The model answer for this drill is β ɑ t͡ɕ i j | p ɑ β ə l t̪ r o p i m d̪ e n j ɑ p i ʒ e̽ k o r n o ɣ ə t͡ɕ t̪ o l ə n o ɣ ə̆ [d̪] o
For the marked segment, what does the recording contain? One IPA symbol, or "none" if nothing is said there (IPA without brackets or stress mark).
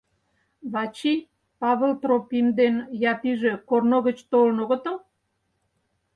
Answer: t̪